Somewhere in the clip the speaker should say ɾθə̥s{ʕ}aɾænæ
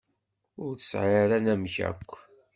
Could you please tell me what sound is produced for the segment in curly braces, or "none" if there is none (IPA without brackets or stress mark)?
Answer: ʕ